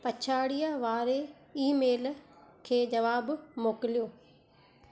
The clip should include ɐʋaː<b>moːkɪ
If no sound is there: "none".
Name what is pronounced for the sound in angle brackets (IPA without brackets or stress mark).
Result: b